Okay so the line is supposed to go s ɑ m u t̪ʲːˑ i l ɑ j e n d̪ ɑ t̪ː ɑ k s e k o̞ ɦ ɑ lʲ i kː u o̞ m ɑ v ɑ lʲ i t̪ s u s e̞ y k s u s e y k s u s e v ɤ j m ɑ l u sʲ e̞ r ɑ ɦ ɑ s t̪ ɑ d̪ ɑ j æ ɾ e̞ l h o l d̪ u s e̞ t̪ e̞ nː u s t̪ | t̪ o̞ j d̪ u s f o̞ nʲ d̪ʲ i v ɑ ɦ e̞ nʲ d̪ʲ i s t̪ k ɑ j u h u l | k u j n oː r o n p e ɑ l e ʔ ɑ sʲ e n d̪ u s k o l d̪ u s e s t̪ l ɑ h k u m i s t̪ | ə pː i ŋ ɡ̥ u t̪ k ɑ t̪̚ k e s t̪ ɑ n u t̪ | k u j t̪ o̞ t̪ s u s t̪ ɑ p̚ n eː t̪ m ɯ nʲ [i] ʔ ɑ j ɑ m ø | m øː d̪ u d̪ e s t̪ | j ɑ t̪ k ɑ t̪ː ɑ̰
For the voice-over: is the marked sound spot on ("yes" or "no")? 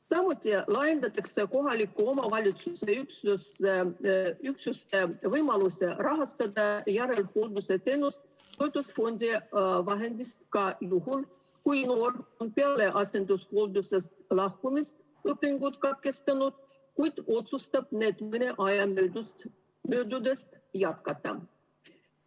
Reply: no